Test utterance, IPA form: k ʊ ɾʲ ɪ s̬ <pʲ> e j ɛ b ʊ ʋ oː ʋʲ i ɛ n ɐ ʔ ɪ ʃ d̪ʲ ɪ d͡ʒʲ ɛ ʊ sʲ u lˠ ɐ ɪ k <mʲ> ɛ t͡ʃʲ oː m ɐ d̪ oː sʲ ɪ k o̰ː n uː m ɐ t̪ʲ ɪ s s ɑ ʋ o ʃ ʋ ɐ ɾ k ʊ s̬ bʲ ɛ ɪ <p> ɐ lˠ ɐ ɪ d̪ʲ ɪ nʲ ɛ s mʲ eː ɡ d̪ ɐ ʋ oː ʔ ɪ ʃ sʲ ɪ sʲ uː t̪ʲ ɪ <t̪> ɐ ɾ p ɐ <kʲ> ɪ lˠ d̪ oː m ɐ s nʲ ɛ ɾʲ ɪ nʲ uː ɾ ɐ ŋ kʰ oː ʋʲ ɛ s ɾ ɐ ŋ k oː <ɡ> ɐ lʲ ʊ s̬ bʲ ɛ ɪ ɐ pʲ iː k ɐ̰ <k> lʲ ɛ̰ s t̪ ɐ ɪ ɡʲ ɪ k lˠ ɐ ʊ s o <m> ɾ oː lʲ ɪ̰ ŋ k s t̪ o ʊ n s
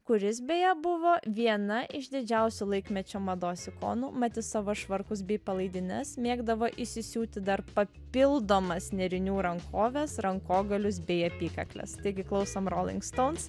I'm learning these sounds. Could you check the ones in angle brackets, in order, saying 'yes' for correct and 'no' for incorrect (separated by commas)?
no, yes, yes, no, no, yes, yes, yes